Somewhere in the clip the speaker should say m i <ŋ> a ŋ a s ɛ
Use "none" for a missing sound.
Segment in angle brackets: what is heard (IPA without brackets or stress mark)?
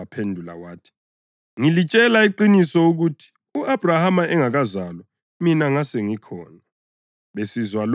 n